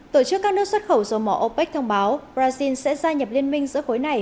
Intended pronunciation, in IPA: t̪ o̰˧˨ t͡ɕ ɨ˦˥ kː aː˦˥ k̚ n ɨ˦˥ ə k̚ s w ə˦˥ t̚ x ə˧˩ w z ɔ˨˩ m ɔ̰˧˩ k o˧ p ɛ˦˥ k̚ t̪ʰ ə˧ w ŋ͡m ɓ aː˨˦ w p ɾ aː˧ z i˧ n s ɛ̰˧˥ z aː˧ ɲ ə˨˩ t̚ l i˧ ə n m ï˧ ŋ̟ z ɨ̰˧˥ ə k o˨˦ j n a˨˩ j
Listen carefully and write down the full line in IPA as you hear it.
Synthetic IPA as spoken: t̪ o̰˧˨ t͡ɕ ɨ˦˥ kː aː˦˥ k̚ n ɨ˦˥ ə k̚ s w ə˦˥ t̚ x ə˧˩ w z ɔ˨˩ m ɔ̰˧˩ ʔ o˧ p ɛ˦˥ k̚ t̪ʰ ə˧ w ŋ͡m ɓ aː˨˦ w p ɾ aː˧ z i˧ n s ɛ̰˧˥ z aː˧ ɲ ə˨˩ p̚ l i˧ ə n m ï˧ ŋ̟ z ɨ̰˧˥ ə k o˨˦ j n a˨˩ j